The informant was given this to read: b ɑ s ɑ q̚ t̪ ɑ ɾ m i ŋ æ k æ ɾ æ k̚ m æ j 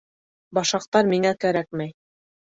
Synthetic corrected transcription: b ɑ ʃ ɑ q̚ t̪ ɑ ɾ m i ŋ æ k æ ɾ æ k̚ m æ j

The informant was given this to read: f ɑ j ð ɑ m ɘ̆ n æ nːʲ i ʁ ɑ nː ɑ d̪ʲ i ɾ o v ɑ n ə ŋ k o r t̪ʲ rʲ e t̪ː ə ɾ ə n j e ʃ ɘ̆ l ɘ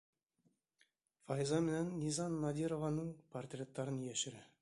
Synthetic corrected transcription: f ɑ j z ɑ m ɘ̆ n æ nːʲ i z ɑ nː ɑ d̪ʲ i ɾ o v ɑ n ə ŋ p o r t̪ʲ rʲ e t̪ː ɑ ɾ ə n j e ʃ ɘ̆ ɾ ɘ

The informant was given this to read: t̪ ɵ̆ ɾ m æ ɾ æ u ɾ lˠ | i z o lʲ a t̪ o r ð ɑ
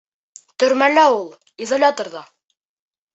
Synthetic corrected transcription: t̪ ɵ̆ ɾ m æ l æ u lˠ | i z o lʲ a t̪ o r ð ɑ

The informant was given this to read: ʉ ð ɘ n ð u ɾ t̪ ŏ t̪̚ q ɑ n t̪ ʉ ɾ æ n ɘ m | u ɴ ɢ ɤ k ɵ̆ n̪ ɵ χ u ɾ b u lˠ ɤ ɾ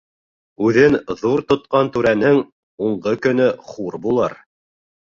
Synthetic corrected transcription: ʉ ð ɘ n ð u ɾ t̪ ŏ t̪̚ q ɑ n t̪ ʉ ɾ æ n ɘ ŋ | u ɴ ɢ ɤ k ɵ̆ n̪ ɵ χ u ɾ b u lˠ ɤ ɾ

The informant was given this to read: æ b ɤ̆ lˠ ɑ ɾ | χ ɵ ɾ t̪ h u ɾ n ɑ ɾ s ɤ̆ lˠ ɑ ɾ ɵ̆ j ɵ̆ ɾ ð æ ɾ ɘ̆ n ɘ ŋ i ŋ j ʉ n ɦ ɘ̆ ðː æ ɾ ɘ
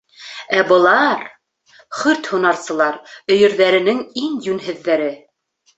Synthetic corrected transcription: æ b ɤ̆ lˠ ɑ ɾ | χ ɵ ɾ t̪ h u n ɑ ɾ s ɤ̆ lˠ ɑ ɾ ɵ̆ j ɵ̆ ɾ ð æ ɾ ɘ̆ n ɘ ŋ i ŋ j ʉ n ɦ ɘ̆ ðː æ ɾ ɘ

